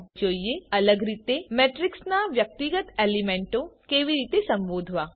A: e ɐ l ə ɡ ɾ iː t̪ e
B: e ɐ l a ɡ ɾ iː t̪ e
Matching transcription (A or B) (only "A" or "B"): A